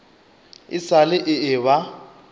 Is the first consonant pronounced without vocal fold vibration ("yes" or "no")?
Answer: yes